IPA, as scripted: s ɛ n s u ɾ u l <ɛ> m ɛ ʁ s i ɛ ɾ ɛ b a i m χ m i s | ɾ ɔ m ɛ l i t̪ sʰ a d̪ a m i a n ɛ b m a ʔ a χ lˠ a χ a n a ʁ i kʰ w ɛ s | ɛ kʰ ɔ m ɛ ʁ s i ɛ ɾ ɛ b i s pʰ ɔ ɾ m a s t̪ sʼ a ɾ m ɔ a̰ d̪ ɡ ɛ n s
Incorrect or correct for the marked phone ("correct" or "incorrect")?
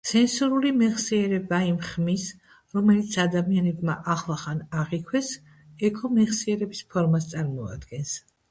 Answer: incorrect